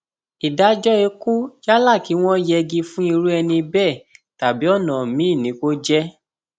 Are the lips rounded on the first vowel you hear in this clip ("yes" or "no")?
no